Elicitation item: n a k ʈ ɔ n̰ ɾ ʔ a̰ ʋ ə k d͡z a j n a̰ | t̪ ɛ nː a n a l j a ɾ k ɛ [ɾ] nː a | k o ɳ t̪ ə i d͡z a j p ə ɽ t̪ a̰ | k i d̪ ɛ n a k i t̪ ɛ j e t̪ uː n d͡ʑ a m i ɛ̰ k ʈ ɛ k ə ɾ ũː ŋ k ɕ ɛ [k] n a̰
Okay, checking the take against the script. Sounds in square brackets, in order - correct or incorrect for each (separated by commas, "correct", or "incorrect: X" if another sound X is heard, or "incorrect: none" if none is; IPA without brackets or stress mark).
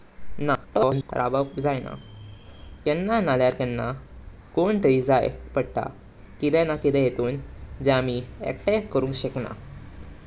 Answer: incorrect: none, correct